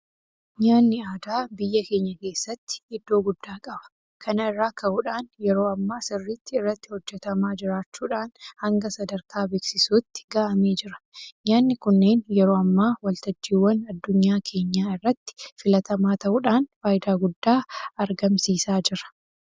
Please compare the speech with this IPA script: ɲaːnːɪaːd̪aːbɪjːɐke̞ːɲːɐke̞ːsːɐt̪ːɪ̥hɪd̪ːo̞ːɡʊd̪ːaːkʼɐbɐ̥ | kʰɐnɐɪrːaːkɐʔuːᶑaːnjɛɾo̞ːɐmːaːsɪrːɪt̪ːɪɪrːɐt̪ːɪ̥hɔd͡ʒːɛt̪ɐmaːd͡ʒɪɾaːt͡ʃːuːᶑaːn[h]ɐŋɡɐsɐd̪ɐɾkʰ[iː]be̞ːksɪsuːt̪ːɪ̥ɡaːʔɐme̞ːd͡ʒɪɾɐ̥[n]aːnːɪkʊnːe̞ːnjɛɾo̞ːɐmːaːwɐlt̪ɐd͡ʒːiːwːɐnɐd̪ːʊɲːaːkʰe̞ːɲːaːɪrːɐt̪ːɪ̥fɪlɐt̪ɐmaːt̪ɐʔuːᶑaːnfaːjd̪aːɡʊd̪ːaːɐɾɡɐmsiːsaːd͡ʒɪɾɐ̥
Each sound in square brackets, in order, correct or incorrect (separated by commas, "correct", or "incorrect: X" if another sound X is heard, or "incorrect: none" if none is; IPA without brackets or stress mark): correct, incorrect: aː, incorrect: ɲ